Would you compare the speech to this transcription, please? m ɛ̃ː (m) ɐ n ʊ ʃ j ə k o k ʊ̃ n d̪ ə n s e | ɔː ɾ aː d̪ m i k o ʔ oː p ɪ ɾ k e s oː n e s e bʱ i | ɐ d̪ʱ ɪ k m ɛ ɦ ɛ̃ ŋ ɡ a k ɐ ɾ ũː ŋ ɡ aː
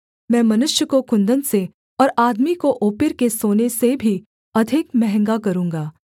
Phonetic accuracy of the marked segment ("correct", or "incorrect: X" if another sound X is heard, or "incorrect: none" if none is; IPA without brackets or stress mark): correct